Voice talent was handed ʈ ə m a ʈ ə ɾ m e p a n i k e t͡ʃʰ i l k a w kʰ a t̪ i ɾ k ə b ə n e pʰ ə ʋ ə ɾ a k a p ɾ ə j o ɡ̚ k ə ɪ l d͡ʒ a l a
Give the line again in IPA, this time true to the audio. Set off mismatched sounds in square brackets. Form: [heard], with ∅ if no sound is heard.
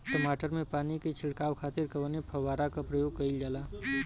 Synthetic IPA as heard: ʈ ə m a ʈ ə ɾ m e p a n i k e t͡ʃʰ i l k a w kʰ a t̪ i ɾ k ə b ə n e pʰ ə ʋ [a] ɾ a k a p ɾ ə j o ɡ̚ k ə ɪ l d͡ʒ a l a